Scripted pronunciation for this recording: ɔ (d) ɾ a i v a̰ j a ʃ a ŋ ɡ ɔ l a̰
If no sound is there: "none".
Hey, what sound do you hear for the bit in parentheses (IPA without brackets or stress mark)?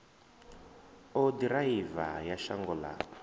d